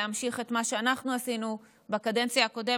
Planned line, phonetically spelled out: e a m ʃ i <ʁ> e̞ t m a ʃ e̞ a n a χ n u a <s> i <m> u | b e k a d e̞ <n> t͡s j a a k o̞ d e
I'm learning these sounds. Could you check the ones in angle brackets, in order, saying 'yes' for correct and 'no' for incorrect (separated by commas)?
no, yes, no, yes